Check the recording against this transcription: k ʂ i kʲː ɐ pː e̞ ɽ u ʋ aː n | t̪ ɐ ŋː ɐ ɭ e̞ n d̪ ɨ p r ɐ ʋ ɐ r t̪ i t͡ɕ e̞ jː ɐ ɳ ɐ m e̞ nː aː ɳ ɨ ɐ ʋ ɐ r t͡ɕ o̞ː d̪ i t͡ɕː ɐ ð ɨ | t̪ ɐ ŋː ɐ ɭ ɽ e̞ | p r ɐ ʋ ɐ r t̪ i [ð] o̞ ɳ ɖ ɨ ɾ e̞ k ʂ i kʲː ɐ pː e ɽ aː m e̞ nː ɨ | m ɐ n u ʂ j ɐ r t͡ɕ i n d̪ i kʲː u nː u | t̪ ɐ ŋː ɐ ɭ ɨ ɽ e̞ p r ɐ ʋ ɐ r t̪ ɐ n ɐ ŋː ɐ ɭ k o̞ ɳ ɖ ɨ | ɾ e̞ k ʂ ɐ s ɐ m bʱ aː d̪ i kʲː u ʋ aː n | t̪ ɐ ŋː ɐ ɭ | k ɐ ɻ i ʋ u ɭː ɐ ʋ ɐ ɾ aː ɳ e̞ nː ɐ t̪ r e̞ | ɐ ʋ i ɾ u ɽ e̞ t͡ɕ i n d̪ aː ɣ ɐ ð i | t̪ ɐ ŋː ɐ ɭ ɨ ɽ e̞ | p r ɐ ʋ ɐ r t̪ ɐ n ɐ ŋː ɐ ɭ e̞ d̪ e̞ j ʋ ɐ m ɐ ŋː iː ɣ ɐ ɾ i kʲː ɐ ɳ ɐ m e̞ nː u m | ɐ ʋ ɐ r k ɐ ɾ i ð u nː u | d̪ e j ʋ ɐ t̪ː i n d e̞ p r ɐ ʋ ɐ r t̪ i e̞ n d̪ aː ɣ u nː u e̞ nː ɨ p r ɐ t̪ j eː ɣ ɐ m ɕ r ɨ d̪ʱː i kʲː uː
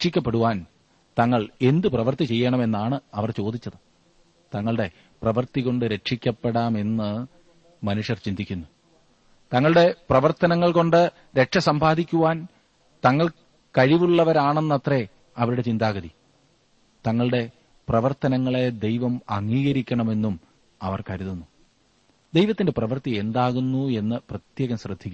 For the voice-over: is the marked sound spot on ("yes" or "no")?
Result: no